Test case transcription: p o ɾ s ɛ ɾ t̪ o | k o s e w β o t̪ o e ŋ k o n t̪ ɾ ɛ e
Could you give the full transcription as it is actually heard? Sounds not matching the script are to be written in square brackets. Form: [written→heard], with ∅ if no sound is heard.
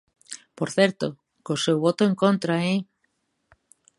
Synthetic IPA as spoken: p o ɾ [s→θ] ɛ ɾ t̪ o | k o s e w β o t̪ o e ŋ k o n t̪ ɾ [ɛ→a] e